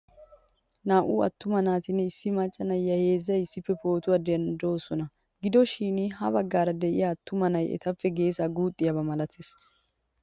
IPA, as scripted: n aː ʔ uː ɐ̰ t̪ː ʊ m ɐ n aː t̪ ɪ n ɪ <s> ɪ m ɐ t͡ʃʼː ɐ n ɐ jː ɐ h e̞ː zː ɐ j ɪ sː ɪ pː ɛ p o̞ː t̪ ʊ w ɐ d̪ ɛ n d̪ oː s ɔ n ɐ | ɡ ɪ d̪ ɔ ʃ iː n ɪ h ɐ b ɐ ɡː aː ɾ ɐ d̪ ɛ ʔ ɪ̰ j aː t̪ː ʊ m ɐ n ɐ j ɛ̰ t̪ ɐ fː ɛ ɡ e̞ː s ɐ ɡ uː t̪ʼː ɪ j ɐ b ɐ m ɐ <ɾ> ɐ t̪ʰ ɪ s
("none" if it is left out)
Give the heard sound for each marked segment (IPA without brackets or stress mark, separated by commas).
sː, l